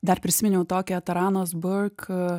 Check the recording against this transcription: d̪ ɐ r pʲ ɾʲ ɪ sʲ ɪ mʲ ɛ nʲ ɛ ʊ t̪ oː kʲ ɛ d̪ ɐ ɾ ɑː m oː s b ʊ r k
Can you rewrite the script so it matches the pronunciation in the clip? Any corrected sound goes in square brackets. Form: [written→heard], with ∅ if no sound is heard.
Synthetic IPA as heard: d̪ ɐ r pʲ ɾʲ ɪ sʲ ɪ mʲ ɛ nʲ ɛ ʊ t̪ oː kʲ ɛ [d̪→t̪] ɐ ɾ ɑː [m→n] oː s b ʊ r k

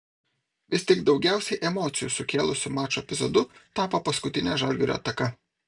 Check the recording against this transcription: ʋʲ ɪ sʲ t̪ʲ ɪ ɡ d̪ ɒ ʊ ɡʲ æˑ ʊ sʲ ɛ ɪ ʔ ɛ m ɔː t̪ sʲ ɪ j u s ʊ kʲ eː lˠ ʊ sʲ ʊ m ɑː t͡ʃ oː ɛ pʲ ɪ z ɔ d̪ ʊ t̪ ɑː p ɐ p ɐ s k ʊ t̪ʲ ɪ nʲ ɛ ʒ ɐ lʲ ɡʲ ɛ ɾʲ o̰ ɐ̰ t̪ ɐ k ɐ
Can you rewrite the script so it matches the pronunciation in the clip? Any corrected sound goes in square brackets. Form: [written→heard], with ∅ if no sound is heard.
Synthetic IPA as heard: ʋʲ ɪ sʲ t̪ʲ ɪ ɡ d̪ ɒ ʊ ɡʲ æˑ ʊ sʲ ɛ ɪ ʔ ɛ m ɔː t̪ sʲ ɪ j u s ʊ kʲ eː lˠ ʊ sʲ ʊ m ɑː t͡ʃ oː ɛ pʲ ɪ z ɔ d̪ ʊ t̪ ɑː p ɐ p ɐ s k ʊ t̪ʲ ɪ nʲ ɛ ʒ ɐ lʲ ɡʲ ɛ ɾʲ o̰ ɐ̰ t̪ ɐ k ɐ

